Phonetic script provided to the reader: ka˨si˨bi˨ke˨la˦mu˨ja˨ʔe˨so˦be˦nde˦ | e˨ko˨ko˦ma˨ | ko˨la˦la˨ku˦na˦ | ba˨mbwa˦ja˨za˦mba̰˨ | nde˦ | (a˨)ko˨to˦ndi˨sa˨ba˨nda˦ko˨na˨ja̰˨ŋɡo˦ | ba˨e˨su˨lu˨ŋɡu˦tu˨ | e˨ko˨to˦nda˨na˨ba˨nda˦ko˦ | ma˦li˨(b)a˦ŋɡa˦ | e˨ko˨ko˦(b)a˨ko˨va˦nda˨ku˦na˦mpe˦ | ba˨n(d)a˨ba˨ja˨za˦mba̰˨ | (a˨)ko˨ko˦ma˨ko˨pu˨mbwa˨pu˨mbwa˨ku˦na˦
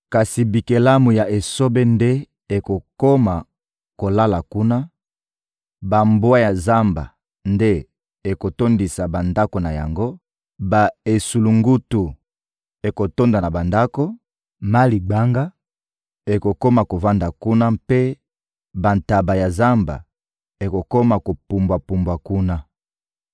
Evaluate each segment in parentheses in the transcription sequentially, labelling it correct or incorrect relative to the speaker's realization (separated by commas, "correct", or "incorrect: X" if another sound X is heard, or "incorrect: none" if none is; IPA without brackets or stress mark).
incorrect: e˨, incorrect: ɡ͡b, incorrect: m, incorrect: t, incorrect: e˨